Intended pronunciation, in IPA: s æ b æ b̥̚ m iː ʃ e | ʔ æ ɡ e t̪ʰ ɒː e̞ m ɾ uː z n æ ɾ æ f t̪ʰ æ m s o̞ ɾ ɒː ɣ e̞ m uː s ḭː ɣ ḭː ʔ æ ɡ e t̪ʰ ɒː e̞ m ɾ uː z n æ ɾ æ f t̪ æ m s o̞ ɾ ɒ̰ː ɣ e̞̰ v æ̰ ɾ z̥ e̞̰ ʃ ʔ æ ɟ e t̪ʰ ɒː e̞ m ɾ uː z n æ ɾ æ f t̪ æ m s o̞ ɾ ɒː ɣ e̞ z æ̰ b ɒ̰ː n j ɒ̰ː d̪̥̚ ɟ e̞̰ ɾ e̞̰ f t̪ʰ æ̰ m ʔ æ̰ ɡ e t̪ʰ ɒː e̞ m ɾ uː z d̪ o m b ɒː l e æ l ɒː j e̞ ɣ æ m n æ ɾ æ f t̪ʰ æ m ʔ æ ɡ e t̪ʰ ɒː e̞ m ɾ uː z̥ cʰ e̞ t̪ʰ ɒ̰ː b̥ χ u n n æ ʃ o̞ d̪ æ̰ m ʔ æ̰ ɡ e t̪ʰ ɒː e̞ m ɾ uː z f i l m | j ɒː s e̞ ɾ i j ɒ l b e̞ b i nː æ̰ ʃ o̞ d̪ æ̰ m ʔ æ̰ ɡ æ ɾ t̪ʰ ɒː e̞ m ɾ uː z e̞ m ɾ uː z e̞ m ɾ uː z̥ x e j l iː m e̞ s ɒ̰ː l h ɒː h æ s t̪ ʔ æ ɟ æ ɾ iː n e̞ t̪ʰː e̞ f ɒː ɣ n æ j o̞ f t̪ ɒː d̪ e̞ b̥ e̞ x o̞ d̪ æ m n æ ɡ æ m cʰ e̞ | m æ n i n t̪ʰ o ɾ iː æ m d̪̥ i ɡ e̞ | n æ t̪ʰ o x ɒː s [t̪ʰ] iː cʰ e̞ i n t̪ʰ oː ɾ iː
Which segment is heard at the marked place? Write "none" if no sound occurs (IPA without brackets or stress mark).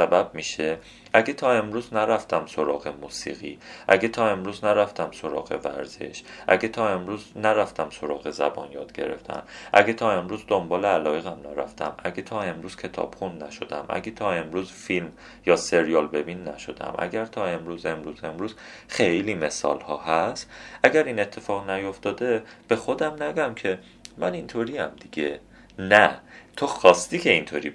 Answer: t̪